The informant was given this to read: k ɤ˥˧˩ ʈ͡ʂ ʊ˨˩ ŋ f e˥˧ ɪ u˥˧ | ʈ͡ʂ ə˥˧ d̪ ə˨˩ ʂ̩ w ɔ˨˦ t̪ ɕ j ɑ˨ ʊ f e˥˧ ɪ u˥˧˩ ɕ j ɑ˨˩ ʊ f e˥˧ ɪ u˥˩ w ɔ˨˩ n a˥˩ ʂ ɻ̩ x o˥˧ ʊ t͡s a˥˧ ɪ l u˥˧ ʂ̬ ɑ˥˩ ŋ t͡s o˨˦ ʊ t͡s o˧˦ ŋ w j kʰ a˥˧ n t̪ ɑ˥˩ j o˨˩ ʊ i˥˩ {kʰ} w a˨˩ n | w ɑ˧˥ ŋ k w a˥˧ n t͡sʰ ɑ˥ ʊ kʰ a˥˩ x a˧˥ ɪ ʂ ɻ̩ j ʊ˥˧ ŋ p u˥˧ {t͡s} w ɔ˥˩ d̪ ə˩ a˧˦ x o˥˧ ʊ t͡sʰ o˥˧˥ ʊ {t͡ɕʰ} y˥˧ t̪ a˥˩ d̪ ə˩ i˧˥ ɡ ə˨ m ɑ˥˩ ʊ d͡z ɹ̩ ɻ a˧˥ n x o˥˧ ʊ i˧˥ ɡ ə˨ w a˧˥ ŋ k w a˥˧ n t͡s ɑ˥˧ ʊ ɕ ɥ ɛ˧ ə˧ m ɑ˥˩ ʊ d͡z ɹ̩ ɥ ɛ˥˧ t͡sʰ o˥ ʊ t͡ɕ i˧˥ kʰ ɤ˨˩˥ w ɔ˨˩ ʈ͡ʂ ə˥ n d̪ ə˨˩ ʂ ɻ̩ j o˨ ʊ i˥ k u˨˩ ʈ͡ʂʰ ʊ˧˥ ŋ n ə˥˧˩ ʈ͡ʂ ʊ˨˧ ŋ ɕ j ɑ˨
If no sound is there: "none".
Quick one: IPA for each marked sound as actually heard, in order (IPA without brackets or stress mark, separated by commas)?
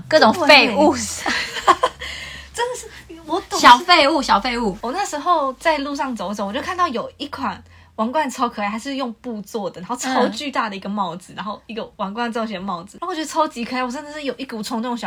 kʰ, t͡s, t͡ɕ